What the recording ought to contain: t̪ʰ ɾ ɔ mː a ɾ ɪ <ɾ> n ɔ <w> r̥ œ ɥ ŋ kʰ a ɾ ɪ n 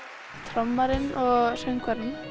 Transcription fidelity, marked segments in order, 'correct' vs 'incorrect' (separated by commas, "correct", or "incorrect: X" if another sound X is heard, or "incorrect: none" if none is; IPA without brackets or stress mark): incorrect: none, incorrect: ɣ